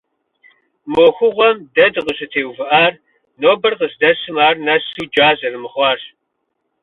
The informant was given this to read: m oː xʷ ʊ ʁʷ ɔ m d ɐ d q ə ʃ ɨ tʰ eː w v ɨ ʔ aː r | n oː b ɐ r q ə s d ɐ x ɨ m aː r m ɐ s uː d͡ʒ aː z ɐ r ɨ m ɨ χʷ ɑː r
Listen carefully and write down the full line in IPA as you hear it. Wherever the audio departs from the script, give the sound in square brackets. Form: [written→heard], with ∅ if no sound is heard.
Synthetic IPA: m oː xʷ ʊ ʁʷ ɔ m d ɐ d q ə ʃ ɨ tʰ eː w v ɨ ʔ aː r | n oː b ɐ r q ə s d ɐ [x→s] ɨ m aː r [m→n] ɐ s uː d͡ʒ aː z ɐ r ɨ m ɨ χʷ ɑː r